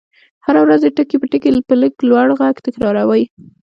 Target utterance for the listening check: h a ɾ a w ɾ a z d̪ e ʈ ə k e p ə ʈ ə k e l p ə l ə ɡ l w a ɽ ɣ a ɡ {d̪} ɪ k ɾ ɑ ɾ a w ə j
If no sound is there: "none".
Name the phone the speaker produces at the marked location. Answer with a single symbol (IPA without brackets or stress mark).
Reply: t̪